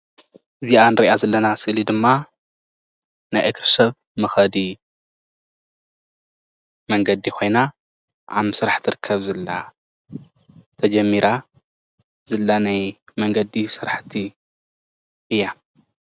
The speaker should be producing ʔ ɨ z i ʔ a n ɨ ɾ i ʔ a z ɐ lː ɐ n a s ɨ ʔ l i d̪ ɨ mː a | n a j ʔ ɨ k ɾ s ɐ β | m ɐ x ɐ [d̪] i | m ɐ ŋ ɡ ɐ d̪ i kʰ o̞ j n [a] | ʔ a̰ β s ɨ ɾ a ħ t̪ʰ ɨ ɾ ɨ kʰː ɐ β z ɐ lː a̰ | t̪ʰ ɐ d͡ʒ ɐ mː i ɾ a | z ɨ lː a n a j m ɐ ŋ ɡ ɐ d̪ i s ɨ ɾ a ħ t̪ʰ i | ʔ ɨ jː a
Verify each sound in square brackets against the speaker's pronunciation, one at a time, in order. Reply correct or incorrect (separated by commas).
correct, correct